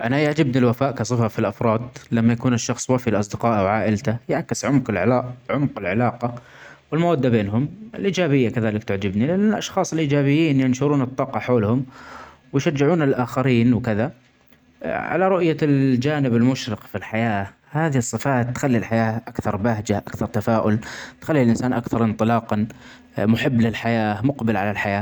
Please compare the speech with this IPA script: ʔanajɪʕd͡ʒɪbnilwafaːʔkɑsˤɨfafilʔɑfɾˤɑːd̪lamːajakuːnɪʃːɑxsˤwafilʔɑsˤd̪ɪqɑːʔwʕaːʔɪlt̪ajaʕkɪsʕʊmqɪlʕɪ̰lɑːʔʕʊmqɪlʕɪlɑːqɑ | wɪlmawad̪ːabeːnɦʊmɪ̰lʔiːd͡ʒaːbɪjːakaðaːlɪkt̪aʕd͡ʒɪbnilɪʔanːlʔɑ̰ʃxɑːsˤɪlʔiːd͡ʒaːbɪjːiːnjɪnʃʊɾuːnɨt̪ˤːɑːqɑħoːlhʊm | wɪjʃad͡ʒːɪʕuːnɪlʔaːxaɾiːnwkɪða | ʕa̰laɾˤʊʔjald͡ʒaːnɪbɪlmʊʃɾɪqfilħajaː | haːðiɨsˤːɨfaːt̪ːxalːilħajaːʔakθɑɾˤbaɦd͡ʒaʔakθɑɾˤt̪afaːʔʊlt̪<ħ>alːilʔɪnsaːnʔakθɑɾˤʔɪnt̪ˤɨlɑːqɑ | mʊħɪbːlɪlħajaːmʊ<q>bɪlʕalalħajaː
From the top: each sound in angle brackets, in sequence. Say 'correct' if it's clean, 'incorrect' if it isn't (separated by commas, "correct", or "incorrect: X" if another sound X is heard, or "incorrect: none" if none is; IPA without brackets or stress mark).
incorrect: x, correct